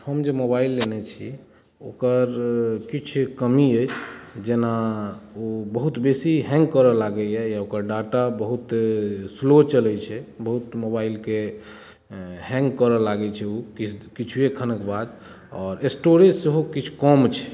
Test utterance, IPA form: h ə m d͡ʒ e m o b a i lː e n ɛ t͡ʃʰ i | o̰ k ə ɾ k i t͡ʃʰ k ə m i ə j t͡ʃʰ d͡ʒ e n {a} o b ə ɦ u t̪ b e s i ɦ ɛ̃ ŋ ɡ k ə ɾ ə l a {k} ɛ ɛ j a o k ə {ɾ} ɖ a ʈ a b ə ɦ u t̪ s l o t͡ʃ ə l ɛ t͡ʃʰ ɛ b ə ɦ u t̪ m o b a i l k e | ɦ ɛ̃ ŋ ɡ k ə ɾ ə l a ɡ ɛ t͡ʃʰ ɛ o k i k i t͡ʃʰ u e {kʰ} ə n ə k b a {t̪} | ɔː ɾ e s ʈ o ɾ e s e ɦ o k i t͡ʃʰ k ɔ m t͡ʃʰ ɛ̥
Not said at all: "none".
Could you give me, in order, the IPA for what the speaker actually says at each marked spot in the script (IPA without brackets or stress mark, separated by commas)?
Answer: a, ɡ, ɾ, kʰ, d̪